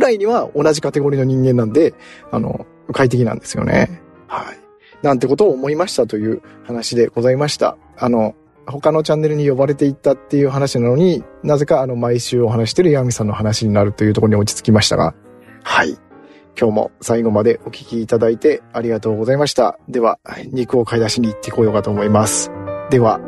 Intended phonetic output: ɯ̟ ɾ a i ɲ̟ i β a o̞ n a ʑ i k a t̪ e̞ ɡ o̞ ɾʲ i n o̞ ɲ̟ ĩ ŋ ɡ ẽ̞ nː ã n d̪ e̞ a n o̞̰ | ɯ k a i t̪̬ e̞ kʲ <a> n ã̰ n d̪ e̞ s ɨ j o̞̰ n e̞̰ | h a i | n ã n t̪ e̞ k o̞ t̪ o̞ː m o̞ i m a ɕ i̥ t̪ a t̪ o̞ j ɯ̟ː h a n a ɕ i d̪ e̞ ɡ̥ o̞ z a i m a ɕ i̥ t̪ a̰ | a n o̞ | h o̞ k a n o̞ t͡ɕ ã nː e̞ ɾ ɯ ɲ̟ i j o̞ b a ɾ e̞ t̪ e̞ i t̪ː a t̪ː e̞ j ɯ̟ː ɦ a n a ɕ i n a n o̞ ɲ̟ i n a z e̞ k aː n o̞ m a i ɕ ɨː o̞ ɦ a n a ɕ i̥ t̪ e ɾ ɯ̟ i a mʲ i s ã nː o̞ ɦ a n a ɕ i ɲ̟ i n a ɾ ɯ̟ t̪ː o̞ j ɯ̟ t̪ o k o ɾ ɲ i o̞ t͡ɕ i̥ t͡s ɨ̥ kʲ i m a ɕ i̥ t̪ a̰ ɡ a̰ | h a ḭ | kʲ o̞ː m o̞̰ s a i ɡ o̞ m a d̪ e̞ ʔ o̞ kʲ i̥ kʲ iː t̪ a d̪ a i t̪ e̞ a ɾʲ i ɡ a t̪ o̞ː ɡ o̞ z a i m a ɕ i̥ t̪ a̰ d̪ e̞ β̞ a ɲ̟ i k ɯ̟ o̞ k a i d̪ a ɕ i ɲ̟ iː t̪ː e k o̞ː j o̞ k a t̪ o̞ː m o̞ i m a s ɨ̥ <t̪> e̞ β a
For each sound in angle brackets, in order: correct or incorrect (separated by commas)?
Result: incorrect, incorrect